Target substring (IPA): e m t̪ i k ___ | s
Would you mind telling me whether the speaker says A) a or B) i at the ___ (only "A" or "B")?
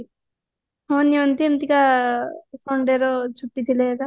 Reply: A